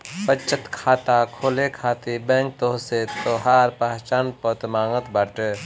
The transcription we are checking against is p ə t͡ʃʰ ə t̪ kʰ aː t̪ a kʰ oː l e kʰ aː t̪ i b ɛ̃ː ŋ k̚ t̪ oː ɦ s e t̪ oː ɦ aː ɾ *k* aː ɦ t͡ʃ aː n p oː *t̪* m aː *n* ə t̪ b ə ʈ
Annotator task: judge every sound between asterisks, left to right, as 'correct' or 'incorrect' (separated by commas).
incorrect, correct, incorrect